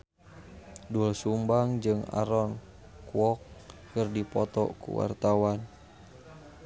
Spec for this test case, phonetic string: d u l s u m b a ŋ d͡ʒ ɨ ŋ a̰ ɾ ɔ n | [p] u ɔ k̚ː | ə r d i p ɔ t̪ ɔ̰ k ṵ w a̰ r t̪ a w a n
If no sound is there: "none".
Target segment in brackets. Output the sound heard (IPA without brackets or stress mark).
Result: k